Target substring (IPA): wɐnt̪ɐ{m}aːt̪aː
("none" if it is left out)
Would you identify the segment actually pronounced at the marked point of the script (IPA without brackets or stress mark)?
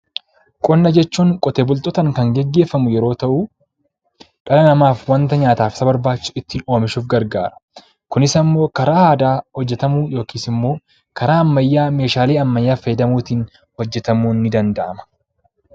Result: ɲ